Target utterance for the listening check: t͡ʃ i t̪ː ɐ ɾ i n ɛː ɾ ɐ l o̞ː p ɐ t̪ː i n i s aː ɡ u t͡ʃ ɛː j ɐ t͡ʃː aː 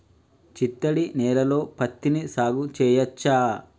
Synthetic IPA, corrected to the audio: t͡ʃ i t̪ː ɐ ɽ i n ɛː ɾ ɐ l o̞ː p ɐ t̪ː i n i s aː ɡ u t͡ʃ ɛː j ɐ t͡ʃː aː